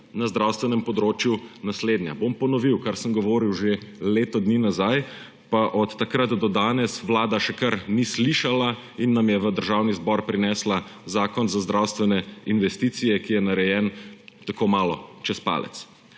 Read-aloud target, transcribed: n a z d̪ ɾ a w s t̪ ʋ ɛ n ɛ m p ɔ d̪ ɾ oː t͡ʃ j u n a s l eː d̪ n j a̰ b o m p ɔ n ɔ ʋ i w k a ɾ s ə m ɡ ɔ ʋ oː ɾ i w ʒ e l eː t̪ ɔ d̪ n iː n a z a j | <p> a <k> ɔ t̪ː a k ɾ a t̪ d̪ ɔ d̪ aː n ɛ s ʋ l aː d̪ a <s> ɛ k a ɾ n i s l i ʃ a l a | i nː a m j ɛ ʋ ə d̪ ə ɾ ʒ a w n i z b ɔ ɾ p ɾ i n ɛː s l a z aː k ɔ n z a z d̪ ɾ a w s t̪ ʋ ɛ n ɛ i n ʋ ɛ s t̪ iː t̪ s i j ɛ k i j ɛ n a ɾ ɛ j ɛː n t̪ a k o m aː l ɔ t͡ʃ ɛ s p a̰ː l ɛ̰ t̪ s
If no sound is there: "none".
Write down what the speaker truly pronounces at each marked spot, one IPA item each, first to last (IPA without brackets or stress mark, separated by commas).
p, ʔ, ʃ